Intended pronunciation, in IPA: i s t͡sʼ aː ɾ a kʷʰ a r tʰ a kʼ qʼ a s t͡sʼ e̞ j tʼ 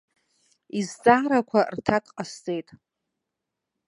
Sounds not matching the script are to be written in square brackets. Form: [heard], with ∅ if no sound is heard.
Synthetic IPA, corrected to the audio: i [z] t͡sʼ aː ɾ a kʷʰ a r tʰ a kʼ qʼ a s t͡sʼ e̞ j tʼ